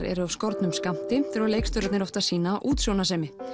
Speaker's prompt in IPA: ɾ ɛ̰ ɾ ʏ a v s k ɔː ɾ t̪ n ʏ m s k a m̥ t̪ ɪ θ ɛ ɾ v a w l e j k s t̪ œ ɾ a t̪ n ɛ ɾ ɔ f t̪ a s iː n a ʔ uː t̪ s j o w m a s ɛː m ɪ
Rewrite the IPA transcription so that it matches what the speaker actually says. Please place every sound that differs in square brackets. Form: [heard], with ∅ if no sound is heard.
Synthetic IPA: ɾ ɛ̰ ɾ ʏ a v s k [ɔ] ɾ t̪ n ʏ m s k a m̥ t̪ ɪ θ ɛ ɾ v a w l e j k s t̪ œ ɾ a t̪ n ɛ ɾ ɔ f t̪ a s iː n a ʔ uː t̪ s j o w [n] a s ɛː m ɪ